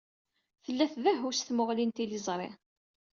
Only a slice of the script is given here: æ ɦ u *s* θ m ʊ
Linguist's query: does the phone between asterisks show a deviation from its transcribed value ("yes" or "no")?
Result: no